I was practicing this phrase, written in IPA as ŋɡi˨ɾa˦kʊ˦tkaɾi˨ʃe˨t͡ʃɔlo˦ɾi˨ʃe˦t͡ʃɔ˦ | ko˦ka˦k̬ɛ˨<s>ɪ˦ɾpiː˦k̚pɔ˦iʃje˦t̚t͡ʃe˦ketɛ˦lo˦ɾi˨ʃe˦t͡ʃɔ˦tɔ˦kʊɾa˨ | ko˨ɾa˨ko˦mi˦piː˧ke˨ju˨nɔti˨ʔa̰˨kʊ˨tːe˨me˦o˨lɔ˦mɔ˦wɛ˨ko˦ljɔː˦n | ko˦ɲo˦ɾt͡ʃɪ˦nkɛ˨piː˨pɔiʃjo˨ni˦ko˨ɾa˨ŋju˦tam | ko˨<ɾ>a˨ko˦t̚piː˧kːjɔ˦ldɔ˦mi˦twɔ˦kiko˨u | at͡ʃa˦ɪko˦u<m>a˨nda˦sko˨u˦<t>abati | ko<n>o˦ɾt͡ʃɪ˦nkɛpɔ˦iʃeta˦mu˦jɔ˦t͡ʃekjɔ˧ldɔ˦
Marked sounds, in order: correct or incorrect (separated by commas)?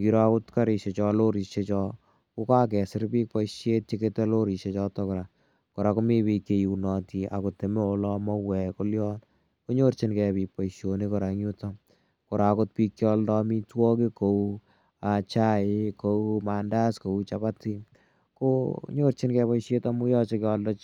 correct, correct, correct, incorrect, incorrect